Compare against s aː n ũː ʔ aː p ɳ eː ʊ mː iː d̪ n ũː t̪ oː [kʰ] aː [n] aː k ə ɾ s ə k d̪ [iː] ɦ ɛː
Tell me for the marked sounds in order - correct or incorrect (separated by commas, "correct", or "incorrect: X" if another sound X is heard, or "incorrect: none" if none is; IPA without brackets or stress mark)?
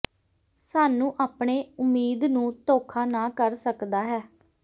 correct, correct, incorrect: aː